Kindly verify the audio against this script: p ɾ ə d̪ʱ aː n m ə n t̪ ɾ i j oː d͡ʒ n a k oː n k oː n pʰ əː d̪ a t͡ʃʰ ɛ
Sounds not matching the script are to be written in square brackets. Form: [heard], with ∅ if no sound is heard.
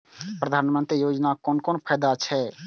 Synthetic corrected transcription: p ɾ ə d̪ʱ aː n m ə n t̪ ɾ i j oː d͡ʒ n a k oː n k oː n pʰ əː d̪ a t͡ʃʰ ɛ